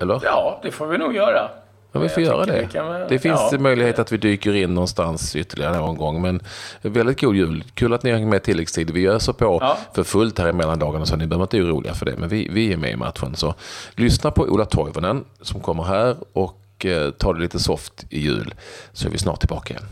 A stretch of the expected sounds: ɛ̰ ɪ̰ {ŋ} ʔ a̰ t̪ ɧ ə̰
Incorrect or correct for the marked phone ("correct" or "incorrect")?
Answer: incorrect